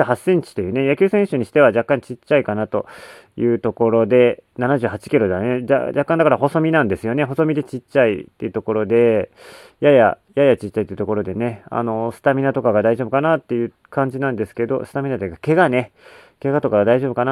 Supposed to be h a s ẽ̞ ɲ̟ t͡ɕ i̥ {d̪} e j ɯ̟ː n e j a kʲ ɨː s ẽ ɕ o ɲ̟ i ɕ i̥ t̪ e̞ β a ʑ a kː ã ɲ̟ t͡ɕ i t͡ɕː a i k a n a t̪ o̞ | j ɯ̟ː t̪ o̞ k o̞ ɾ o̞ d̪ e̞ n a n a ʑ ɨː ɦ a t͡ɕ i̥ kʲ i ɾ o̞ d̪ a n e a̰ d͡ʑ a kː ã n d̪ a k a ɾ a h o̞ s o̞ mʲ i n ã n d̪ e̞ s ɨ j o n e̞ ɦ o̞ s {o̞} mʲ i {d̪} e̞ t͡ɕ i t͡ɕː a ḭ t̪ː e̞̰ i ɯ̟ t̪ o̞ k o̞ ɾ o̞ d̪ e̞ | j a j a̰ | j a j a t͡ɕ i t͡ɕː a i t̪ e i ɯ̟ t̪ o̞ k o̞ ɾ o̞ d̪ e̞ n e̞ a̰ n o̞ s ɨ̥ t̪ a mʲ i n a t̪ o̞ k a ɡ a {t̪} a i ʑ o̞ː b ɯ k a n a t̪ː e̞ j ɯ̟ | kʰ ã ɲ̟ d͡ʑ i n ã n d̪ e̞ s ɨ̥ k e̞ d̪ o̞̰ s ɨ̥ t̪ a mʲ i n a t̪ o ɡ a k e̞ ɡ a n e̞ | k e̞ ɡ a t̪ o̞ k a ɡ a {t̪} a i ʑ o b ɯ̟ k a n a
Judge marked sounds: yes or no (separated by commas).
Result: no, yes, yes, no, no